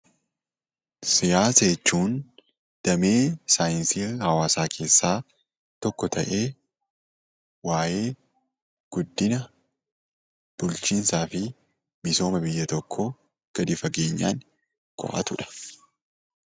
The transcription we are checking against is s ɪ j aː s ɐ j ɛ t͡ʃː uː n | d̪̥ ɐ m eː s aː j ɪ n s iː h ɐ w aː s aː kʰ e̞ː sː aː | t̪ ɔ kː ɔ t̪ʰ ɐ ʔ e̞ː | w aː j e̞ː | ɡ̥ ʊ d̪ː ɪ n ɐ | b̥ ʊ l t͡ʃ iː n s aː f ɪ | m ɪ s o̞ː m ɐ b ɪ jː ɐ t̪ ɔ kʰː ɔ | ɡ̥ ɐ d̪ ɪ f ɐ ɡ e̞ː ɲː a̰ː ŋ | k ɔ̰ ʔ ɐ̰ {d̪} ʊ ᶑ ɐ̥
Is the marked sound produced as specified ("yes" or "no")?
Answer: no